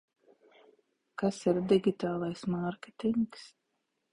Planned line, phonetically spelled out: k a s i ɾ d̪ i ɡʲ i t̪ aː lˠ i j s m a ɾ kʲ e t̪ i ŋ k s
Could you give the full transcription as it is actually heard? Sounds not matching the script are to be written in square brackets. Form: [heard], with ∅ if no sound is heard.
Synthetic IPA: k a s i ɾ d̪ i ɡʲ i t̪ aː lˠ [a] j s m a ɾ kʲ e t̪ i ŋ k s